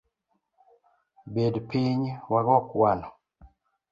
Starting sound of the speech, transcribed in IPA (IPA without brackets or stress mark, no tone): b